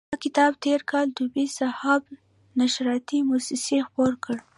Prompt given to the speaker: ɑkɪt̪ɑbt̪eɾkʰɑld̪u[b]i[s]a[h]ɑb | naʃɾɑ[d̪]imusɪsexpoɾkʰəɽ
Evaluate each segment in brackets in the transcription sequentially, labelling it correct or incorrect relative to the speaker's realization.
correct, correct, correct, incorrect

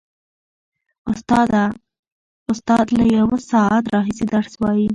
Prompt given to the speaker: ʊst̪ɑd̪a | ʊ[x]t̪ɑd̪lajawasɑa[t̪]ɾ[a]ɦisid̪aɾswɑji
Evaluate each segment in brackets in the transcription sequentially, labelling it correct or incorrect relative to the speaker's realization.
incorrect, correct, incorrect

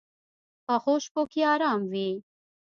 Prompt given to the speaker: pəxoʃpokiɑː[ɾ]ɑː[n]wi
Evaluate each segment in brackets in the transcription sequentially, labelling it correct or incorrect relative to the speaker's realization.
correct, incorrect

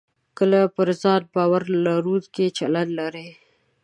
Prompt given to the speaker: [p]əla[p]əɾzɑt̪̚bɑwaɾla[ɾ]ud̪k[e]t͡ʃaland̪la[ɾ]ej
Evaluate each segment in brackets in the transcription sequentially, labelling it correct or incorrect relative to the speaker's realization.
incorrect, correct, correct, correct, correct

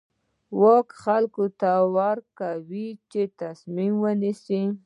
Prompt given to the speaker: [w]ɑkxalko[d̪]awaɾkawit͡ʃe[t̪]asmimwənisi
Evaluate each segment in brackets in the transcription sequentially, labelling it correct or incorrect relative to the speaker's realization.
correct, incorrect, correct

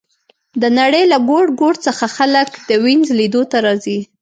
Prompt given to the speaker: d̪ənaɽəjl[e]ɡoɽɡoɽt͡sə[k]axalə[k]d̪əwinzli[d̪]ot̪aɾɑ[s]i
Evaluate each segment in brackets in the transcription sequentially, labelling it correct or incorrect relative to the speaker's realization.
incorrect, incorrect, correct, correct, incorrect

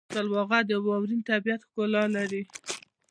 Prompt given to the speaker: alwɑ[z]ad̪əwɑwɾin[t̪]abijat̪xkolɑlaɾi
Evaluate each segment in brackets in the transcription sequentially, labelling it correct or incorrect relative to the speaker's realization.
incorrect, correct

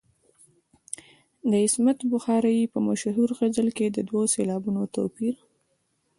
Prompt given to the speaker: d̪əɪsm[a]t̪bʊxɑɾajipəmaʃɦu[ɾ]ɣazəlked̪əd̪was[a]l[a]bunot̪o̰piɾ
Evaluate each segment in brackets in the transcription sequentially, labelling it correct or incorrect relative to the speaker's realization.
correct, correct, incorrect, incorrect

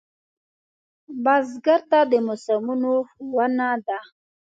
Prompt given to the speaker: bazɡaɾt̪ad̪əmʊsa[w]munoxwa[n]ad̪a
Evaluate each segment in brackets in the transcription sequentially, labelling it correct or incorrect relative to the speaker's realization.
incorrect, correct

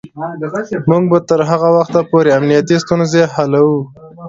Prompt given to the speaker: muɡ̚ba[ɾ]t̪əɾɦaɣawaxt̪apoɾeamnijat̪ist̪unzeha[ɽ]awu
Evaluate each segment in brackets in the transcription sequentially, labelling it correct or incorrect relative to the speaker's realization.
incorrect, incorrect

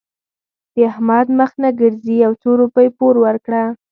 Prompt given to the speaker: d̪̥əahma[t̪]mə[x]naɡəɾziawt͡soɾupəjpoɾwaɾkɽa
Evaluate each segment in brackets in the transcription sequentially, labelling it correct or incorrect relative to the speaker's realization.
incorrect, correct

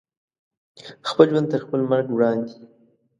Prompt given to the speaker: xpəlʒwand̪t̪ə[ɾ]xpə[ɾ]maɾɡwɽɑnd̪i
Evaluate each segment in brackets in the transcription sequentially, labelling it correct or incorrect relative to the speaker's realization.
correct, incorrect

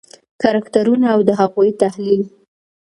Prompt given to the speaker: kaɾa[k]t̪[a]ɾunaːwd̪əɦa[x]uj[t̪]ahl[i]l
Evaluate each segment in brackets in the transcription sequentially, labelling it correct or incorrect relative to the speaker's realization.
correct, correct, incorrect, correct, correct

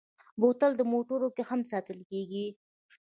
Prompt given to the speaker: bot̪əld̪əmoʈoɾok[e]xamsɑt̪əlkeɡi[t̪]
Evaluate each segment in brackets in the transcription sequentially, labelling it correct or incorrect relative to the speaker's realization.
correct, incorrect

